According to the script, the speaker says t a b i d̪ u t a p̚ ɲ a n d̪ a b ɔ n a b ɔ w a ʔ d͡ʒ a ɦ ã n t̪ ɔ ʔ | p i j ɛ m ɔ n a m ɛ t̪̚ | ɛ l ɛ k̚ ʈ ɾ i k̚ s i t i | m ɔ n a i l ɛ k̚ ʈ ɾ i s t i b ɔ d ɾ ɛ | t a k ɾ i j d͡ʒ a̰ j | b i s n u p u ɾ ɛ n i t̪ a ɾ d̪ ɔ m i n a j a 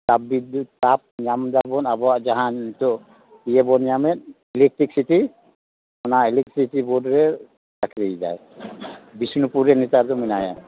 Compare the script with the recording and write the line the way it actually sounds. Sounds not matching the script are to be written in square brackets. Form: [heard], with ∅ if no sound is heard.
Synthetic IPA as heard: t a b i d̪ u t a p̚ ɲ a [m] d̪ a b ɔ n a b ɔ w a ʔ d͡ʒ a ɦ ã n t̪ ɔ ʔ | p i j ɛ [b] ɔ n a m ɛ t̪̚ | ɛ l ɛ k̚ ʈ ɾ i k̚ s i t i | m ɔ n a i l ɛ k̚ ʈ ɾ i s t i b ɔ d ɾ ɛ | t a k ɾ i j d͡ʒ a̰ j | b i s n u p u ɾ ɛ n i t̪ a ɾ d̪ ɔ m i n a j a